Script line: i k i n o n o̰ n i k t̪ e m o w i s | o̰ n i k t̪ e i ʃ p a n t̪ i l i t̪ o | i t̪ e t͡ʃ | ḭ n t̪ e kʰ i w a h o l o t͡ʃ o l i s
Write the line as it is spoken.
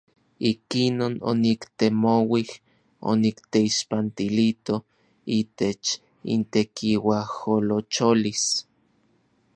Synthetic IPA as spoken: i k i n o n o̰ n i k t̪ e m o w i h | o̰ n i k t̪ e i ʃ p a n t̪ i l i t̪ o | i t̪ e t͡ʃ | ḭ n t̪ e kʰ i w a h o l o t͡ʃ o l i s